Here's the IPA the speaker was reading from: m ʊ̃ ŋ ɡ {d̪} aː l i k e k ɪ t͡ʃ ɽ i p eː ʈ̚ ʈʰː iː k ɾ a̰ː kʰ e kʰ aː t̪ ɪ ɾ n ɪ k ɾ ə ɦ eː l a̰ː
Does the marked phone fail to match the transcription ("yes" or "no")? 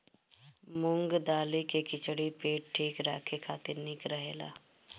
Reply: no